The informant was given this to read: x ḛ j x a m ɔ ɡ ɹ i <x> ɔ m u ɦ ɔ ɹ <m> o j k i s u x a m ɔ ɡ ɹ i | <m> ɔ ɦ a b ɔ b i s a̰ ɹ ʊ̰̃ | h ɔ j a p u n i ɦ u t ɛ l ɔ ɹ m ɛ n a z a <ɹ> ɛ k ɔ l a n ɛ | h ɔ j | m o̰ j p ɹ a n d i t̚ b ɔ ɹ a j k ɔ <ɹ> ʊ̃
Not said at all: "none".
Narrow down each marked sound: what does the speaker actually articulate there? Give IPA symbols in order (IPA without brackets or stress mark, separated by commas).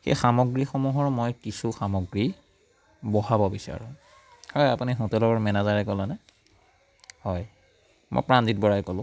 x, m, b, ɹ, l